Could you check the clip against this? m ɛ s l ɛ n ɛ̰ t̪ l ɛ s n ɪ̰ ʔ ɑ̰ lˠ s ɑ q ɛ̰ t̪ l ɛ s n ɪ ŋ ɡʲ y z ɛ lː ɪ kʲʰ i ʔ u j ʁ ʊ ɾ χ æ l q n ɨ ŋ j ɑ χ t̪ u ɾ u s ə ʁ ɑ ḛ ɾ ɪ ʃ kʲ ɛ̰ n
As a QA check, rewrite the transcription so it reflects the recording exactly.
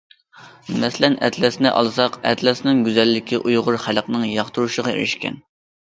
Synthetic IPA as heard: m ɛ s l ɛ n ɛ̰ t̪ l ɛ s n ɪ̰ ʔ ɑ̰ lˠ s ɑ q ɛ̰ t̪ l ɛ s n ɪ ŋ ɡʲ y z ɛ lː ɪ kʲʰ i ʔ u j ʁ ʊ ɾ χ æ l q n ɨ ŋ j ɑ χ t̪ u ɾ u ʃ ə ʁ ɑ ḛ ɾ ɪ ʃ kʲ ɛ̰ n

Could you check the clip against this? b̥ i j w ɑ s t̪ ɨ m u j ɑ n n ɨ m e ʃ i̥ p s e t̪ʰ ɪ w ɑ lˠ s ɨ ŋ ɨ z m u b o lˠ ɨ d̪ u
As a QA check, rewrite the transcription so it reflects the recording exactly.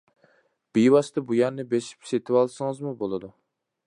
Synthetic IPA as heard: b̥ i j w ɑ s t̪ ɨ b u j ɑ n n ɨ b e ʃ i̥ p s e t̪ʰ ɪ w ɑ lˠ s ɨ ŋ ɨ z m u b o lˠ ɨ d̪ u

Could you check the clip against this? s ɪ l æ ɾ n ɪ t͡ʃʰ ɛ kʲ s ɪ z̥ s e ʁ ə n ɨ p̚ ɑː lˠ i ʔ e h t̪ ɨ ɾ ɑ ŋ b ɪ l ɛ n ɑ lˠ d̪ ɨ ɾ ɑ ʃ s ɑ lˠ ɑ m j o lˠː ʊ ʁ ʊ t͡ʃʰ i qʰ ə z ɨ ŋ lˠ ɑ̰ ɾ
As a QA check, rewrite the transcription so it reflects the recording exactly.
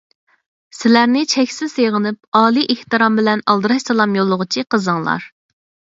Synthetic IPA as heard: s ɪ l æ ɾ n ɪ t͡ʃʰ ɛ kʲ s ɪ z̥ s e ʁ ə n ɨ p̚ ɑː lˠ i ʔ e h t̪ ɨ ɾ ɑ m b ɪ l ɛ n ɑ lˠ d̪ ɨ ɾ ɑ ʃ s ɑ lˠ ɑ m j o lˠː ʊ ʁ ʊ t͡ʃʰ i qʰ ə z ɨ ŋ lˠ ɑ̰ ɾ

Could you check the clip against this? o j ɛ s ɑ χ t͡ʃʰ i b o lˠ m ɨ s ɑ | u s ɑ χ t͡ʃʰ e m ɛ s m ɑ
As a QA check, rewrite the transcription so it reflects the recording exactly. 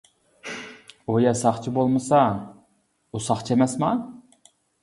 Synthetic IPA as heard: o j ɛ s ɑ χ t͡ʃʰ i b o lˠ m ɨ s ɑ | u s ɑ χ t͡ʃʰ e m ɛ s m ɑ

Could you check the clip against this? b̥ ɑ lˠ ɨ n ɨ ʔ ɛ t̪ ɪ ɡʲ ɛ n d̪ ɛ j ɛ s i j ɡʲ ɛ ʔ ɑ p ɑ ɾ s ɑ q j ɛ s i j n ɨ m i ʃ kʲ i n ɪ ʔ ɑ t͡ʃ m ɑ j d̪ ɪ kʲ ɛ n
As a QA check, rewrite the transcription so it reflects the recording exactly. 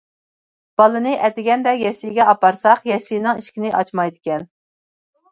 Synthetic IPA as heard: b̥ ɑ lˠ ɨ n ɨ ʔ ɛ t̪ ɪ ɡʲ ɛ n d̪ ɛ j ɛ s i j ɡʲ ɛ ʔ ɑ p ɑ ɾ s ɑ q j ɛ s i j n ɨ ŋ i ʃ kʲ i n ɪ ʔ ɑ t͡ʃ m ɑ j d̪ ɪ kʲ ɛ n

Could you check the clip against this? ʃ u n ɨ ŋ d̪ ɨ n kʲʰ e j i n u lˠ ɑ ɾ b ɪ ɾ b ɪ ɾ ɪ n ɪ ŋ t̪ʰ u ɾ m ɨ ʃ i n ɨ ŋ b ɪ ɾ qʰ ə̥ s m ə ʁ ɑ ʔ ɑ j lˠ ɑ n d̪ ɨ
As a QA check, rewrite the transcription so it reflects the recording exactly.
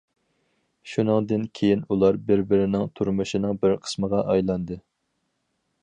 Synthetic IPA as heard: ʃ u n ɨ ŋ d̪ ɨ n kʲʰ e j i n u lˠ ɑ ɾ b ɪ ɾ b ɪ ɾ ɪ n ɪ ŋ t̪ʰ u ɾ m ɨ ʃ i n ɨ ŋ b ɪ ɾ qʰ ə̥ s m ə ʁ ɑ ʔ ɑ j lˠ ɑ n d̪ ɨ

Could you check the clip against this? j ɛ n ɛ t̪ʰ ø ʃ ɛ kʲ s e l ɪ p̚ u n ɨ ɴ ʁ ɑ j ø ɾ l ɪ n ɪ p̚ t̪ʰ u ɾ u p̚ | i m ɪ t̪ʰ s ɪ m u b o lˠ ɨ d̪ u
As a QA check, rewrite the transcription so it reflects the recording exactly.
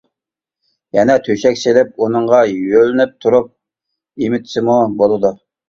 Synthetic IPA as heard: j ɛ n ɛ t̪ʰ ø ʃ ɛ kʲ s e l ɪ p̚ u n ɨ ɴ ʁ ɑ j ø l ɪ n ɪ p̚ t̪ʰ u ɾ u p̚ | i m ɪ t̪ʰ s ɪ m u b o lˠ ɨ d̪ u

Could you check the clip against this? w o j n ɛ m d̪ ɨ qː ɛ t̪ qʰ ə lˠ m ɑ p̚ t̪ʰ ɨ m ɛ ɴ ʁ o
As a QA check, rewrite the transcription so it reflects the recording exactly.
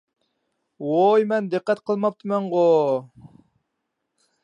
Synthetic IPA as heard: w o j m ɛ n d̪ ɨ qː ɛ t̪ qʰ ə lˠ m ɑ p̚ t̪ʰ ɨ m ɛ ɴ ʁ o

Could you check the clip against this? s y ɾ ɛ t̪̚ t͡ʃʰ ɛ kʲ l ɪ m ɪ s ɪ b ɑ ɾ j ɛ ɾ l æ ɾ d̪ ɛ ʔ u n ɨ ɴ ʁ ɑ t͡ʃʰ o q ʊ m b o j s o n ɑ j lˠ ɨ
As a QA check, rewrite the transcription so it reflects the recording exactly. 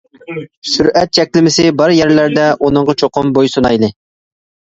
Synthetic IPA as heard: s y ɾ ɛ t̪̚ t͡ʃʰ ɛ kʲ l ɪ m ɪ s ɪ b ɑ ɾ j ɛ ɾ l æ ɾ d̪ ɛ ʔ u n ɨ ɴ ʁ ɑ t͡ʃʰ o q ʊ m b o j s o n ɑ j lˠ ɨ

